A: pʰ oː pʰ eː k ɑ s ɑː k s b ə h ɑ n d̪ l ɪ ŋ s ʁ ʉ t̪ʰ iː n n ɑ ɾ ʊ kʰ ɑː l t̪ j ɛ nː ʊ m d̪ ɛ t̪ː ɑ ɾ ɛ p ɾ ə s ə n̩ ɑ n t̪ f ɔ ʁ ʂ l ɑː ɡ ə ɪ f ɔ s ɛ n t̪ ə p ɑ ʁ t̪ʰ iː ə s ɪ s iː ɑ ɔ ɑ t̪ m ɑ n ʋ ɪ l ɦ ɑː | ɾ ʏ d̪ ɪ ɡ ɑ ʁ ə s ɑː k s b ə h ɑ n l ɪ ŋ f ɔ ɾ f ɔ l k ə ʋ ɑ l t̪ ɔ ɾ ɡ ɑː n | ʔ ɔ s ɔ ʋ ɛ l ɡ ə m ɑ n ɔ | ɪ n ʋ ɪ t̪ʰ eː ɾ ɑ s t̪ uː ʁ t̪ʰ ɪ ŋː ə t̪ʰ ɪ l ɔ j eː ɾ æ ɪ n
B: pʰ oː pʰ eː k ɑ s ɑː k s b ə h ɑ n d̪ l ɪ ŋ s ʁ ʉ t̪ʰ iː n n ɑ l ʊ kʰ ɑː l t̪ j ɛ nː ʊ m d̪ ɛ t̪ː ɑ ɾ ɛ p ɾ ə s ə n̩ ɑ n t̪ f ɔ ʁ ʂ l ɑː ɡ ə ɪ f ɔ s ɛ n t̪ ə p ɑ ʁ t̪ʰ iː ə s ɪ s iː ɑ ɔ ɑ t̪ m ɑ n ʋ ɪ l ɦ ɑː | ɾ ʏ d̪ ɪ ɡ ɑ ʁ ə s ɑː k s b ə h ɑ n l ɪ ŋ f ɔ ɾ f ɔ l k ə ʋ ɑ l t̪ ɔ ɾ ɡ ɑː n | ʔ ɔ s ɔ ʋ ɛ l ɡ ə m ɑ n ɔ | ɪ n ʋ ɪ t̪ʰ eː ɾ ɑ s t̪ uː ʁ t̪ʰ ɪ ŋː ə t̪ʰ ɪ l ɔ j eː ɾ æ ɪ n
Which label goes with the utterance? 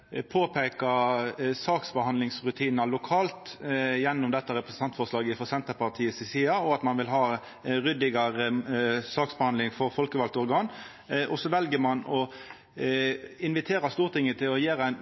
B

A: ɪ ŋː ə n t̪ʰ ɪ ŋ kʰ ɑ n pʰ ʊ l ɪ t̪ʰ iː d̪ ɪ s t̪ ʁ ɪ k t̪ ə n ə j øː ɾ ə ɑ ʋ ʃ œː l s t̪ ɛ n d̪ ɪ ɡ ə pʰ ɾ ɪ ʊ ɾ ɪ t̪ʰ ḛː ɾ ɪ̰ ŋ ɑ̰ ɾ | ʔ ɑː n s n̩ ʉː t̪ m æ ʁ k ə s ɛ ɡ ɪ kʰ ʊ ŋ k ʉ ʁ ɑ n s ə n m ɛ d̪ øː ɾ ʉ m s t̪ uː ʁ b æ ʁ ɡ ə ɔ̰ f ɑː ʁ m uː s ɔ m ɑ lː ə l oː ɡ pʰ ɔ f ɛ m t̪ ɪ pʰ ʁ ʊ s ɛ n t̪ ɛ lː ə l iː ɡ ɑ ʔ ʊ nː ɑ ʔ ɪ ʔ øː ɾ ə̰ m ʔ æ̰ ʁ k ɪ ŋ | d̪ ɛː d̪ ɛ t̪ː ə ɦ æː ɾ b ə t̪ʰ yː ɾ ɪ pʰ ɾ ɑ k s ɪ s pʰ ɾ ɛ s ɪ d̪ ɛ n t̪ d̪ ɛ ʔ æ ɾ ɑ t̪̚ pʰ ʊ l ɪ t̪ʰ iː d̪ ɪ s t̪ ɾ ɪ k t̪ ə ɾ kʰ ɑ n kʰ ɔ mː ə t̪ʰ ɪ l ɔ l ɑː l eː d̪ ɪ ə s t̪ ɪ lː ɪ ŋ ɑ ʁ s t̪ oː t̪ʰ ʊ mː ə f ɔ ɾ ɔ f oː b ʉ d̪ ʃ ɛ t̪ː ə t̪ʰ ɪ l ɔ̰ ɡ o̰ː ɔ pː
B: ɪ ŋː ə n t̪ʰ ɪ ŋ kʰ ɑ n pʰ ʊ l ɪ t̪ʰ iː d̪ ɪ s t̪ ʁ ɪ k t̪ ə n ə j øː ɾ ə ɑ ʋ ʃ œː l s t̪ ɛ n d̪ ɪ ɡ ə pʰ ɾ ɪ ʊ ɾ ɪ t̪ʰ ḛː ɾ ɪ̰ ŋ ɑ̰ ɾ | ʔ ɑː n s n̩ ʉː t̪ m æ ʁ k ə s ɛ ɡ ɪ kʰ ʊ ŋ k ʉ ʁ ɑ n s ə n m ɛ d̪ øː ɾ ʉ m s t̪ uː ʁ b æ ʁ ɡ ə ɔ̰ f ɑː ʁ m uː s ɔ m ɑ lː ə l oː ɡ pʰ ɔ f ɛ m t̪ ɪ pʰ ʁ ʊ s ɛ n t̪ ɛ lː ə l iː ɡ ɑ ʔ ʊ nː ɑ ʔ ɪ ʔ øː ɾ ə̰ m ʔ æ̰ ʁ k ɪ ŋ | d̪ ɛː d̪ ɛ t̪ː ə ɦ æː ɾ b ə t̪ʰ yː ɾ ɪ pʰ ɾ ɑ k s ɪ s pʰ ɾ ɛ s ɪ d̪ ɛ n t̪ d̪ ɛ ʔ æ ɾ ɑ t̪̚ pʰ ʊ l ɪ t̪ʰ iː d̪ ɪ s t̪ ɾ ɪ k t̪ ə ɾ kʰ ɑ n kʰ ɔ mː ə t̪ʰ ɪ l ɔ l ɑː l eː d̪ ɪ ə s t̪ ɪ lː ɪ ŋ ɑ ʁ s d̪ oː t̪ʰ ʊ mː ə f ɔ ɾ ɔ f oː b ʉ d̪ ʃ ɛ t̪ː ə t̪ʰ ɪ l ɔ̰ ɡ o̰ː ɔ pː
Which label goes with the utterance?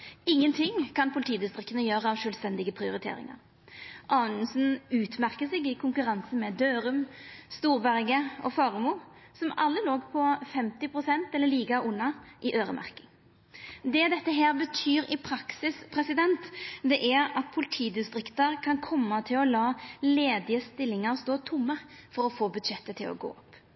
A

